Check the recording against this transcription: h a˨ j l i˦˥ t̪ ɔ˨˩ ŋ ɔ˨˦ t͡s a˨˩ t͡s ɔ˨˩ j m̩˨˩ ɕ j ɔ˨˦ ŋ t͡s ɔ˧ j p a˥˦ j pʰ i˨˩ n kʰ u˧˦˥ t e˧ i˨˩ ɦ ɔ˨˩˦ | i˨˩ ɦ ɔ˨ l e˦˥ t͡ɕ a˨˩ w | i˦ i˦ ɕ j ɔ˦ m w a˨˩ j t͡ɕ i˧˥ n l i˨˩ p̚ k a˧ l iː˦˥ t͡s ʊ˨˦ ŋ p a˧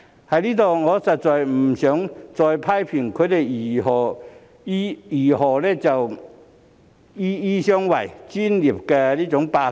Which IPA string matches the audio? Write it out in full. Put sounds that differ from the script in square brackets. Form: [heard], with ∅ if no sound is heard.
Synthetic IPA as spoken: h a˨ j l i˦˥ t̪ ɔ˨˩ ŋ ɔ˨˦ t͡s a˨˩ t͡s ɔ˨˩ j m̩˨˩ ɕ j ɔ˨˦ ŋ t͡s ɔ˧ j [pʰ] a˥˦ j pʰ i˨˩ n kʰ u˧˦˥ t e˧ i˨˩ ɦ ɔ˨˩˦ | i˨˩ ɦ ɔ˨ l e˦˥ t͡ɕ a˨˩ w | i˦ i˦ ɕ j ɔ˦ [ŋ] w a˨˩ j t͡ɕ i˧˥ n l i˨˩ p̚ k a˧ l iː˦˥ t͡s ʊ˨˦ ŋ p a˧